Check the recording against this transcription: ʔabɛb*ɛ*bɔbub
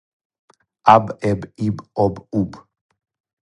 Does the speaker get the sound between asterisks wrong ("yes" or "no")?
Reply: yes